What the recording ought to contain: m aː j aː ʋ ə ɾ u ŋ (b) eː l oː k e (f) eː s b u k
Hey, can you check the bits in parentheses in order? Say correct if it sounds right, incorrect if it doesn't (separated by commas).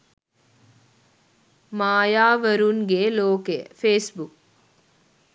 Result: incorrect, correct